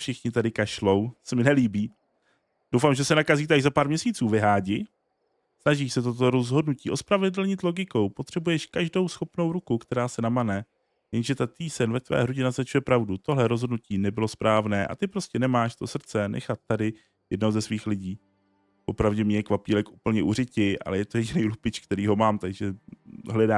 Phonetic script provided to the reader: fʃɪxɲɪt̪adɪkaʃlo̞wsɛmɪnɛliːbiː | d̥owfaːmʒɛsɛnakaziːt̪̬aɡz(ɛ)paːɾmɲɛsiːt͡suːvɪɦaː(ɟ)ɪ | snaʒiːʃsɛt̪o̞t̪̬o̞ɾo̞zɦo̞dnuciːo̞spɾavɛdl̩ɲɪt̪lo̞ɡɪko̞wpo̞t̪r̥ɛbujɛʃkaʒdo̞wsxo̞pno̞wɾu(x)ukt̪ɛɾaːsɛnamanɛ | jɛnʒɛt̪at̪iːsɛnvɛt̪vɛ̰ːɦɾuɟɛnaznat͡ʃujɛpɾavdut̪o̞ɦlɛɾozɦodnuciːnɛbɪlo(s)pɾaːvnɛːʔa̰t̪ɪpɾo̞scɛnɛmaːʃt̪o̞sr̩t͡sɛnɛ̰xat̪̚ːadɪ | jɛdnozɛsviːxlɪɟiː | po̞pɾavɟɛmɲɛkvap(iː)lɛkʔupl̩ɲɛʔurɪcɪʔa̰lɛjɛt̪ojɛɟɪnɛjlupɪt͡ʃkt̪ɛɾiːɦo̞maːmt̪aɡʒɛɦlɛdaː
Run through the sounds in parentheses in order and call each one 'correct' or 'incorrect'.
incorrect, correct, incorrect, correct, correct

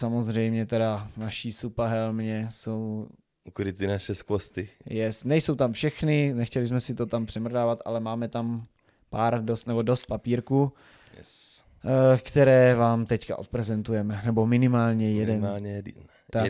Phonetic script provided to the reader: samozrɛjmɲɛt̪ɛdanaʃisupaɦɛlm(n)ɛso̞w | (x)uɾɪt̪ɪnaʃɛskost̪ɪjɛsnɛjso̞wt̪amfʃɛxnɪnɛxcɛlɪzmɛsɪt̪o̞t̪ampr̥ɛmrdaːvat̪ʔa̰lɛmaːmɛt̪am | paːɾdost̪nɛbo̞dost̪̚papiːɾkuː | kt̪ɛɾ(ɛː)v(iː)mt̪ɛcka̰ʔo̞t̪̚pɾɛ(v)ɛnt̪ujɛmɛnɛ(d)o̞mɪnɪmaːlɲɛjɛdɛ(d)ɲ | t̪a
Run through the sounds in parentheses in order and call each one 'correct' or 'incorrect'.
incorrect, incorrect, correct, incorrect, incorrect, incorrect, incorrect

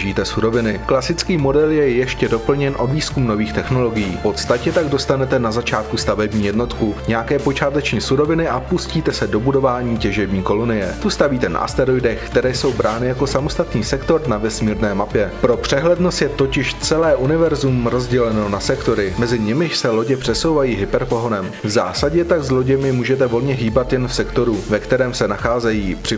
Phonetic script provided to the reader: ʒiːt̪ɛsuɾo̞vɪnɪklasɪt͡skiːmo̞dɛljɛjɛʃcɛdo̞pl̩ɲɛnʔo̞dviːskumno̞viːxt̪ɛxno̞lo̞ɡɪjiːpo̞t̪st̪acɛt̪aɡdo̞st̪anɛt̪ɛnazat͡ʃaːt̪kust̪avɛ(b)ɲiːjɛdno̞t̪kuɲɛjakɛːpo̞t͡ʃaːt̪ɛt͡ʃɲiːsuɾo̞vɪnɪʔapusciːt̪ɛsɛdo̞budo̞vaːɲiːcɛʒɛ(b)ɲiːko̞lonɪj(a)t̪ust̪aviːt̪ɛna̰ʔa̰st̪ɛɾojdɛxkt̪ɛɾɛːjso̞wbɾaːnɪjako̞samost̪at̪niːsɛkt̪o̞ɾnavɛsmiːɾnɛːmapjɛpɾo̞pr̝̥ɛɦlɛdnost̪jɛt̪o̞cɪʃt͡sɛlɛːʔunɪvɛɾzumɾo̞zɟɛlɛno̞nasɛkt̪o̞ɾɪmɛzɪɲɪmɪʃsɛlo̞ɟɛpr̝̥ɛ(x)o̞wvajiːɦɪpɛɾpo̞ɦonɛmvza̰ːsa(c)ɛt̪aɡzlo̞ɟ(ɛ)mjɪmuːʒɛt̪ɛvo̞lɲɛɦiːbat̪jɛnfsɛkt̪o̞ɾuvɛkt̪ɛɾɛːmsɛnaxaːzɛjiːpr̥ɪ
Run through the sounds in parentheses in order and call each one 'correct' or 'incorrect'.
correct, correct, incorrect, incorrect, incorrect, correct

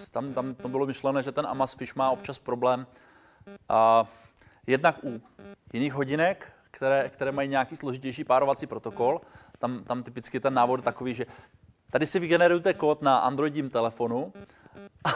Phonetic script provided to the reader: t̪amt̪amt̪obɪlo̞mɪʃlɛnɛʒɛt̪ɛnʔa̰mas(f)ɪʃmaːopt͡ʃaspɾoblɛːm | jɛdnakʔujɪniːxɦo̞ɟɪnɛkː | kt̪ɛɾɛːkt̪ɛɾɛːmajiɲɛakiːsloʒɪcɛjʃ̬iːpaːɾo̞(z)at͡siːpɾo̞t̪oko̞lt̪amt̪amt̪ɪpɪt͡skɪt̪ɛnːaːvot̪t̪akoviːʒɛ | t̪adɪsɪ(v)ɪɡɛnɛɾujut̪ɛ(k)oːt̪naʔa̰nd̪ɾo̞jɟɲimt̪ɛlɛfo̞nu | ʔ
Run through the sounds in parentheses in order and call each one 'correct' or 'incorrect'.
correct, incorrect, correct, correct

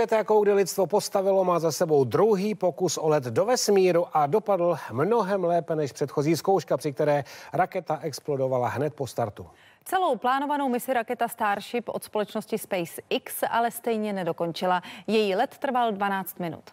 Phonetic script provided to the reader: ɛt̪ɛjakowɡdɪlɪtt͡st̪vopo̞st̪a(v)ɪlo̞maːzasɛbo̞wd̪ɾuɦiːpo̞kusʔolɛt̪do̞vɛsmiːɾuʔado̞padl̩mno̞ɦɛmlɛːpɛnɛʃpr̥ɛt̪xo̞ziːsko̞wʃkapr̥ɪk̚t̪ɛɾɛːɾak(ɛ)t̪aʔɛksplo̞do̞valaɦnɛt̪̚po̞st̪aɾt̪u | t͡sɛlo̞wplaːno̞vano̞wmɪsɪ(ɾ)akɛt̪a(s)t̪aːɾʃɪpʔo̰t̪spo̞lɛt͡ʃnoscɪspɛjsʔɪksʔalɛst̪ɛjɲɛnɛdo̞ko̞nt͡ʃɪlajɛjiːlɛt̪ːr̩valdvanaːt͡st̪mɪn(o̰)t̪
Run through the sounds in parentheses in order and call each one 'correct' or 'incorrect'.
correct, correct, correct, correct, incorrect

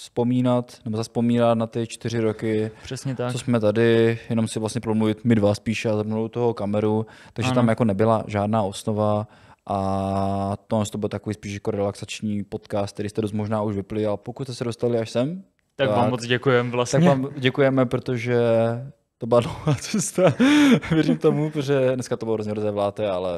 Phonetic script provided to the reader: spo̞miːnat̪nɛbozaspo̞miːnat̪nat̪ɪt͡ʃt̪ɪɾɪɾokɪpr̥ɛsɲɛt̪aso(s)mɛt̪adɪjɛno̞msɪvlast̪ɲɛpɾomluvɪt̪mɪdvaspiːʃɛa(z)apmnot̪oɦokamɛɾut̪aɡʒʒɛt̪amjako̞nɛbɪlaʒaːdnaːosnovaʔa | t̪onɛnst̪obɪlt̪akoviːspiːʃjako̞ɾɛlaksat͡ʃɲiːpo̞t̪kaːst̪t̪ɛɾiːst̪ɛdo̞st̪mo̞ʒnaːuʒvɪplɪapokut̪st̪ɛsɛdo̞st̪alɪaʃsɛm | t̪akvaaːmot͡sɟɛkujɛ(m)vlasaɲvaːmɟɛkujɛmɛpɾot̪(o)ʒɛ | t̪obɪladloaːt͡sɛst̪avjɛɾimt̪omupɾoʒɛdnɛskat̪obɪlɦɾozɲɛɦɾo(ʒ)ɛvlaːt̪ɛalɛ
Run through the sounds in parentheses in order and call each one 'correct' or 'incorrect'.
correct, correct, correct, correct, incorrect

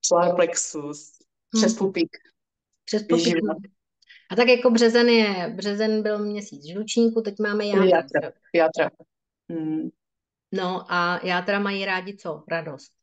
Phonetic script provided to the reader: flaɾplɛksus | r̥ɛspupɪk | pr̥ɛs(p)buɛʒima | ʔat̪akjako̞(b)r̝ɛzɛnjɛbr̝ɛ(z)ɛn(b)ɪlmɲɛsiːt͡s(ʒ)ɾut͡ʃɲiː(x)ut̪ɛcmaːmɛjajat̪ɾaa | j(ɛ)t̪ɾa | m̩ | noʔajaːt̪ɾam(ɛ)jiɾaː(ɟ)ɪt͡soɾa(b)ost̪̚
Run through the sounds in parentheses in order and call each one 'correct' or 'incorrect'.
correct, correct, correct, correct, correct, incorrect, incorrect, incorrect, correct, incorrect

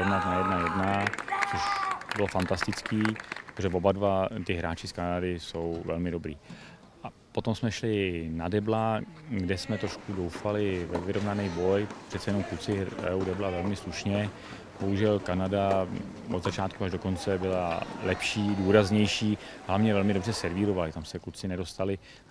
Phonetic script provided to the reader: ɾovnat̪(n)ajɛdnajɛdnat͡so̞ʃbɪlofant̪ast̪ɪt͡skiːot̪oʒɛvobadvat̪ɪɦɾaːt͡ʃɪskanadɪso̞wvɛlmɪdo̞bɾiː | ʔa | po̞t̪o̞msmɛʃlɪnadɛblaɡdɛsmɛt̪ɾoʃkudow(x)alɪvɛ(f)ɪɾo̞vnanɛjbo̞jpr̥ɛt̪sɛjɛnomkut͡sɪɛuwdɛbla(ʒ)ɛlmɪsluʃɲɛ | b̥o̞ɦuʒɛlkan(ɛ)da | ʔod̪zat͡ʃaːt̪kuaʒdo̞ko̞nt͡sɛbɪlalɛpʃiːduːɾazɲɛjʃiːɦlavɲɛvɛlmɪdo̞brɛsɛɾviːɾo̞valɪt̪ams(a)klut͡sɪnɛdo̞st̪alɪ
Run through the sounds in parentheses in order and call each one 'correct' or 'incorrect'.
correct, incorrect, incorrect, incorrect, incorrect, incorrect

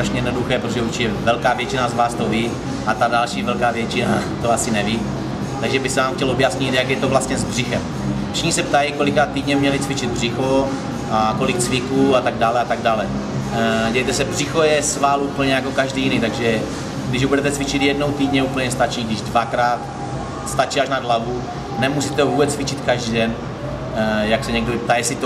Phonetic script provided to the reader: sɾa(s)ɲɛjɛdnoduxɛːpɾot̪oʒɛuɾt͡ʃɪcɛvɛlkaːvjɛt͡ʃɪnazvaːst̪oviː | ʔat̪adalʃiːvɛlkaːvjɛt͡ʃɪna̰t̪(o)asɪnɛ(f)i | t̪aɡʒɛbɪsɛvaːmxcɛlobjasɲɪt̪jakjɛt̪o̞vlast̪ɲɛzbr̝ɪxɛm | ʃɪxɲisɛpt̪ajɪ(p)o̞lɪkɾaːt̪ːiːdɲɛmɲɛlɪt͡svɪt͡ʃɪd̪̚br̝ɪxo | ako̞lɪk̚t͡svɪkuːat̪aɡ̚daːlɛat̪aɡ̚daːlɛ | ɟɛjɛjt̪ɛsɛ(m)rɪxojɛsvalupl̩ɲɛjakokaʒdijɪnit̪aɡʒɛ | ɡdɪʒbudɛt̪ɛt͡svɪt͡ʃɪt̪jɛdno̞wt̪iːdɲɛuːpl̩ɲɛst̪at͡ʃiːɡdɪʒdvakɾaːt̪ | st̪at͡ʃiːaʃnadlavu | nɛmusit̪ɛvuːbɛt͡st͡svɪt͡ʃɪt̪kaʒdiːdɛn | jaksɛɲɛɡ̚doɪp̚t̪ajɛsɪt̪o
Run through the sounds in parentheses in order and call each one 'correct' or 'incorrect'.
incorrect, correct, incorrect, incorrect, incorrect

